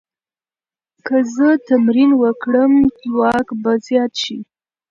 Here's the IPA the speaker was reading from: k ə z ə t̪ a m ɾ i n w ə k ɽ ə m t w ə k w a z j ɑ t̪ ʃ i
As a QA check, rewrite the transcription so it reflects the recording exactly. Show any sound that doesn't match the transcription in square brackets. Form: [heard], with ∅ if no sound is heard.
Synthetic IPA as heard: k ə z ə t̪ a m ɾ i n w ə k ɽ ə m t w [ɑ] k [b] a z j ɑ t̪ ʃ i